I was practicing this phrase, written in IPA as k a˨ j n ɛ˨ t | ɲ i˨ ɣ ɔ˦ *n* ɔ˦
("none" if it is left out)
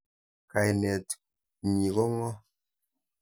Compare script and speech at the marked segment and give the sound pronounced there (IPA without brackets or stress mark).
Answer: ŋ